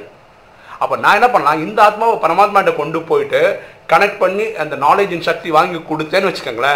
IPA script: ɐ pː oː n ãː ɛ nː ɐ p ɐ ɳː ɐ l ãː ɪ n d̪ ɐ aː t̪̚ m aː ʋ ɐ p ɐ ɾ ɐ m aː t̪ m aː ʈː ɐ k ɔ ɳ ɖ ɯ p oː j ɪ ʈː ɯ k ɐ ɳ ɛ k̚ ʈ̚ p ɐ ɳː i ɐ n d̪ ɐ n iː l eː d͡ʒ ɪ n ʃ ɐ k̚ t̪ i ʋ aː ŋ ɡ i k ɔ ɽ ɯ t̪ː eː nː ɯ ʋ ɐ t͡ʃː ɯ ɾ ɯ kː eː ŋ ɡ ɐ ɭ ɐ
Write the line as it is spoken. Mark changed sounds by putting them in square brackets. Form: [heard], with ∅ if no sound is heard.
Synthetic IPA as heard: ɐ pː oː n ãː ɛ nː ɐ p ɐ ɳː ɐ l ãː ɪ n d̪ ɐ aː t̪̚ m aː ʋ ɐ p ɐ ɾ ɐ m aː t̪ m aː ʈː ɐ k ɔ ɳ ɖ ɯ p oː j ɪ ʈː ɯ k ɐ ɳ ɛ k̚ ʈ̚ p ɐ ɳː i ɐ n d̪ ɐ n [aː] l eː d͡ʒ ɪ n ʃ ɐ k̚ t̪ i ʋ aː ŋ ɡ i k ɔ ɽ ɯ t̪ː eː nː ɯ ʋ ɐ t͡ʃː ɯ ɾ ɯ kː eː ŋ ɡ ɐ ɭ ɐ